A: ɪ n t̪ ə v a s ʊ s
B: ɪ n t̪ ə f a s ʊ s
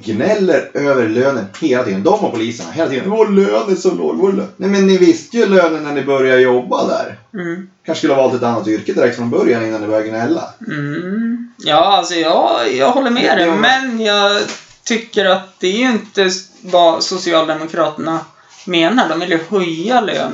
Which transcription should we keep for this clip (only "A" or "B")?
A